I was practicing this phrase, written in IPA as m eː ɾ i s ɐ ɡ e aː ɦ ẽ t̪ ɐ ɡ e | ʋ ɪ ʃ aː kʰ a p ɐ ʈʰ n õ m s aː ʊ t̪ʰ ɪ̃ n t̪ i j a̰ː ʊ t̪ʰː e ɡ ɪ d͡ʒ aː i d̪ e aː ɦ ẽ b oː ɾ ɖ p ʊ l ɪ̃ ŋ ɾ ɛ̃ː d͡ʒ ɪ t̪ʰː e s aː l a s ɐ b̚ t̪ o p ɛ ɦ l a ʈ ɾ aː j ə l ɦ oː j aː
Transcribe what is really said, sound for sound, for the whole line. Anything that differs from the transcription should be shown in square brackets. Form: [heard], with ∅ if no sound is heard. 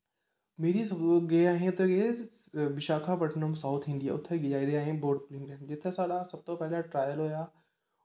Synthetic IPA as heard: m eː ɾ i s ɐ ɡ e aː ɦ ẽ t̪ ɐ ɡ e | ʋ ɪ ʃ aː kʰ a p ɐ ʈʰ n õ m s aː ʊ t̪ʰ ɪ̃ n [d̪] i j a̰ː ʊ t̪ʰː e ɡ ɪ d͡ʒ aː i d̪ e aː ɦ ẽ b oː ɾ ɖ p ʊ l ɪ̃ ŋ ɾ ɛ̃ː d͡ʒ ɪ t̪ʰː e s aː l a s ɐ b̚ t̪ o p ɛ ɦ l a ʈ ɾ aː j ə l ɦ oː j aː